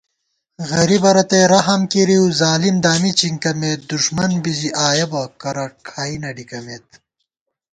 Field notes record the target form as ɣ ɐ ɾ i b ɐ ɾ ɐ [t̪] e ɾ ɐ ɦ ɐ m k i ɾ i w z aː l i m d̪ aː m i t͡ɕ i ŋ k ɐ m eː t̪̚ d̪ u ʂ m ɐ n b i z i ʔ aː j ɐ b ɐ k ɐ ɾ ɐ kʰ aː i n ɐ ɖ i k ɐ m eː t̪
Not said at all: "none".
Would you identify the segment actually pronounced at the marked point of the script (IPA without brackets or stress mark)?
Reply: t̪